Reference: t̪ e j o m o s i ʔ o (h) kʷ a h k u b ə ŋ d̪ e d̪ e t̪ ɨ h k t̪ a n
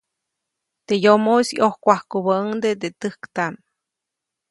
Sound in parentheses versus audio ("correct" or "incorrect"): correct